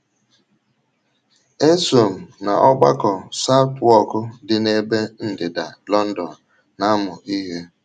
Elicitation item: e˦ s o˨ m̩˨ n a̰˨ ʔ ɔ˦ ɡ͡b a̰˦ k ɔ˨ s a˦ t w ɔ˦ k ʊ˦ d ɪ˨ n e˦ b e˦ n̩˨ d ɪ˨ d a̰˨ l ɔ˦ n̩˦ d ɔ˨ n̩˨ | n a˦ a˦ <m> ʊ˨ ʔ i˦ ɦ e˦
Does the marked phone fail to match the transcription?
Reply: no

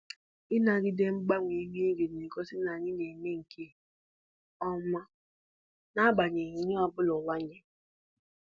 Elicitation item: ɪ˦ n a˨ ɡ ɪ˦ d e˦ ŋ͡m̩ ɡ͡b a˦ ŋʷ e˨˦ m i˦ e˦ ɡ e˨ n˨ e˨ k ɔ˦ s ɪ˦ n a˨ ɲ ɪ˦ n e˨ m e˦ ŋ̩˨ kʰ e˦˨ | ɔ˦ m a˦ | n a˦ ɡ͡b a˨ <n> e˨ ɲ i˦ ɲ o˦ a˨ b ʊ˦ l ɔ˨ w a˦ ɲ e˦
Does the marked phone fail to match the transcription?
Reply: yes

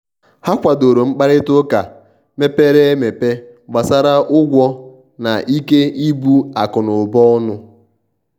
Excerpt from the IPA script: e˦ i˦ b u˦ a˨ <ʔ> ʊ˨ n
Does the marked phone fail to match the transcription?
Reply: yes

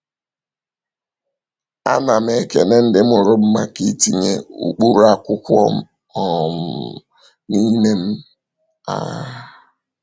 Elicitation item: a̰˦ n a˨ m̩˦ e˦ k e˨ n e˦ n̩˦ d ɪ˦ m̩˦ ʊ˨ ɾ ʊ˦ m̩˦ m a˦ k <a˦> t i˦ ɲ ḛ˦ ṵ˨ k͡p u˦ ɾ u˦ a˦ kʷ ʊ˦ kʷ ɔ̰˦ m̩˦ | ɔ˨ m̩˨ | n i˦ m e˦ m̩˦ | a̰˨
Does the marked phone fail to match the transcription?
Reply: yes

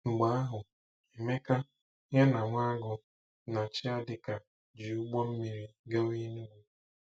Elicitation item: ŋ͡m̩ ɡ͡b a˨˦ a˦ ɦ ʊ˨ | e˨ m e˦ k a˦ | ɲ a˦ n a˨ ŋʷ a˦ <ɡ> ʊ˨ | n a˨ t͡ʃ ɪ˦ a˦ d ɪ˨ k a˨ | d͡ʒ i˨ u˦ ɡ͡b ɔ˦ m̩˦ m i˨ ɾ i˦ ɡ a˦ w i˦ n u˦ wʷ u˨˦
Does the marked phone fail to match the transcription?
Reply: no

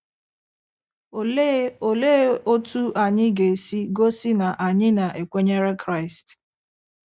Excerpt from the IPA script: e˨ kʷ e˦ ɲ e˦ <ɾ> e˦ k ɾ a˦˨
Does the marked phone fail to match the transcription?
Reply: no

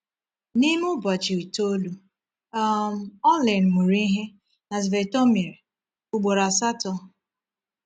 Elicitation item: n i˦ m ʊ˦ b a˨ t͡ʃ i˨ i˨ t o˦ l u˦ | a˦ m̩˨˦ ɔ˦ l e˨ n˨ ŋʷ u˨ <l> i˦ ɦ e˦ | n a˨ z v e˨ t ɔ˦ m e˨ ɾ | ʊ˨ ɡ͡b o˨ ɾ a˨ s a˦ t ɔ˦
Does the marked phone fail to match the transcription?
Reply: yes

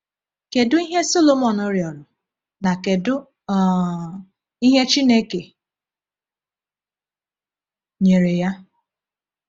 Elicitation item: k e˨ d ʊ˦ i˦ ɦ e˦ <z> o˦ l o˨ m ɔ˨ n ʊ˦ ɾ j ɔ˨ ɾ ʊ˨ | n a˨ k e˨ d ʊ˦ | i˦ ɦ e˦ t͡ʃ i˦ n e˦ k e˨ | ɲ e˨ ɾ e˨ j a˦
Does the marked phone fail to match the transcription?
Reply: yes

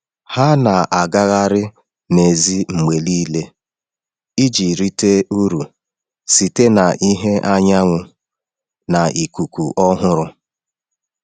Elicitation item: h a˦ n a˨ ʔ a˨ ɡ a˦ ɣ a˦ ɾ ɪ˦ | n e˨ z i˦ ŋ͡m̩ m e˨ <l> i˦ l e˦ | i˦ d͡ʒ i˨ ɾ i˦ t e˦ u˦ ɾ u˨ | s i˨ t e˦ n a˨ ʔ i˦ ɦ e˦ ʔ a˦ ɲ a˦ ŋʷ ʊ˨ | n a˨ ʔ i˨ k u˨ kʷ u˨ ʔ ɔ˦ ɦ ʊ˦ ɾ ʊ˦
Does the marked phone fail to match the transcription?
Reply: no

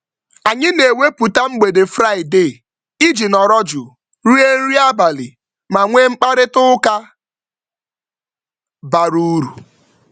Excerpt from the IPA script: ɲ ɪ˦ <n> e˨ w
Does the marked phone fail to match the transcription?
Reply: no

